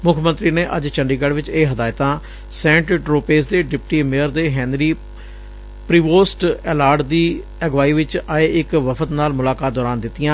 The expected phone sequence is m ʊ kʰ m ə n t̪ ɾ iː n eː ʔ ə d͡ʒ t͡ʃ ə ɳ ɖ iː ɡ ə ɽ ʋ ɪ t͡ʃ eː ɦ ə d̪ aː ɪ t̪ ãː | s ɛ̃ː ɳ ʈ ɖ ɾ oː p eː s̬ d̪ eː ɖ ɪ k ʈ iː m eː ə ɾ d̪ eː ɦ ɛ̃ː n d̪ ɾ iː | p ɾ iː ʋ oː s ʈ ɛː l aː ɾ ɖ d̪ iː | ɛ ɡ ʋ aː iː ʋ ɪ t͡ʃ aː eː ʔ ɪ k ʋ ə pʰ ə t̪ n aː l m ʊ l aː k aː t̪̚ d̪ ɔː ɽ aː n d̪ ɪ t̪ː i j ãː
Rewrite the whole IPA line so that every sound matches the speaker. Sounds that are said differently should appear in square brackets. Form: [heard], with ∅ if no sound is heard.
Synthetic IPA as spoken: m ʊ kʰ m ə n t̪ ɾ iː n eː ʔ ə d͡ʒ t͡ʃ ə ɳ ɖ iː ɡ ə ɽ ʋ ɪ t͡ʃ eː ɦ ə d̪ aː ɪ t̪ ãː | s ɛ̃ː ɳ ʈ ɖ ɾ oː p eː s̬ d̪ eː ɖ ɪ [p] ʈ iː m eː ə ɾ d̪ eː ɦ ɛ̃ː n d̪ ɾ iː | p ɾ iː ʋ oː s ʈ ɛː l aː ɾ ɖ d̪ iː | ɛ ɡ ʋ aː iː ʋ ɪ t͡ʃ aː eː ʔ ɪ k ʋ ə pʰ ə t̪ n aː l m ʊ l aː k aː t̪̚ d̪ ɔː [ɾ] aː n d̪ ɪ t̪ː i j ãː